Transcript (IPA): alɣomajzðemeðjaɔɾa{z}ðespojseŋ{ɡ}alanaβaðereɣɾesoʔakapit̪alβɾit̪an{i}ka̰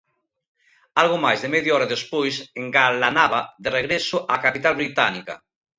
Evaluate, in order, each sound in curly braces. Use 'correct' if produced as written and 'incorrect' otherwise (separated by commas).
incorrect, correct, correct